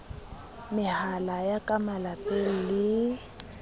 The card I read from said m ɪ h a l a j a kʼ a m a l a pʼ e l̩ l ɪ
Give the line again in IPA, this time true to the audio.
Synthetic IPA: m ɪ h a l a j a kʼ a m a l a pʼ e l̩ l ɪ